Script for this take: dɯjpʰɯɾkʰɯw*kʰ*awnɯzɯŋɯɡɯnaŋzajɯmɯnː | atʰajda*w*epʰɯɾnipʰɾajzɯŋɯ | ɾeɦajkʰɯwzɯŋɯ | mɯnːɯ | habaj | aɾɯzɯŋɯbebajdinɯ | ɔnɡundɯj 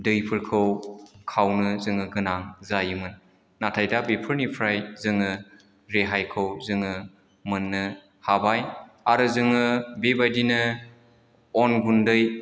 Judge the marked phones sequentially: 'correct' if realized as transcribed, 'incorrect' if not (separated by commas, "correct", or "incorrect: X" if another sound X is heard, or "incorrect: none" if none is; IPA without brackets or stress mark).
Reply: correct, incorrect: b